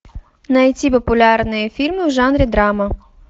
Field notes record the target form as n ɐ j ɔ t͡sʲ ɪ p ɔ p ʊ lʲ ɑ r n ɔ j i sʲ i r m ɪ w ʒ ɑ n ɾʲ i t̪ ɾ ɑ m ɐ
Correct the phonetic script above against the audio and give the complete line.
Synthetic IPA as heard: n ɐ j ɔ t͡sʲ i p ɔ p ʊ lʲ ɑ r n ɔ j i fʲ i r m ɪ w ʒ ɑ n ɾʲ i d̪ ɾ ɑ m ɐ